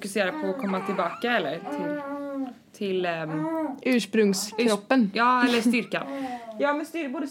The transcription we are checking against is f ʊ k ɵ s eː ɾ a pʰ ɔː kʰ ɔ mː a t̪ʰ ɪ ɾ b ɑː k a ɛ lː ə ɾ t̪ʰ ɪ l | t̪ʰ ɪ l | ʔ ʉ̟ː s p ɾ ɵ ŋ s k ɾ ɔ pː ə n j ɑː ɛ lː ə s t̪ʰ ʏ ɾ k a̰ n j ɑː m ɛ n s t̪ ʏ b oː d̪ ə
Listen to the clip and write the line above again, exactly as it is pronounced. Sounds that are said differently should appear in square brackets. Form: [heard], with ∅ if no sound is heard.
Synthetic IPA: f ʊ k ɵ s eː ɾ a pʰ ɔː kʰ ɔ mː a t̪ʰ ɪ [l] b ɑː k a ɛ lː ə ɾ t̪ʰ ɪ l | t̪ʰ ɪ l | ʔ ʉ̟ː [ʂ] p ɾ ɵ ŋ s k ɾ ɔ pː ə n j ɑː ɛ lː ə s [t̪] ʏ ɾ k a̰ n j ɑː m ɛ n s t̪ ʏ b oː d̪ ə